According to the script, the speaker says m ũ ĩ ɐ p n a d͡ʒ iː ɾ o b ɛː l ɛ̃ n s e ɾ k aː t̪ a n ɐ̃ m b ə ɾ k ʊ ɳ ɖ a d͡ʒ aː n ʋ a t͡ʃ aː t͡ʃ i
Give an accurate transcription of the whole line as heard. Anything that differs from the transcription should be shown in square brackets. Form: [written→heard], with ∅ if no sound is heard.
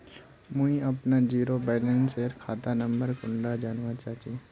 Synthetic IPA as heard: m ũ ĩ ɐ p n a d͡ʒ iː ɾ o b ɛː l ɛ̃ n s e ɾ [k→kʰ] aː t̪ a n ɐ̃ m b ə ɾ k ʊ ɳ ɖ a d͡ʒ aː n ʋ a t͡ʃ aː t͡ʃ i